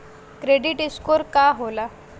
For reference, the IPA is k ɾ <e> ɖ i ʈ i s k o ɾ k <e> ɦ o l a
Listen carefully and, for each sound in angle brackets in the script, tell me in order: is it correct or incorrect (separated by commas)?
correct, incorrect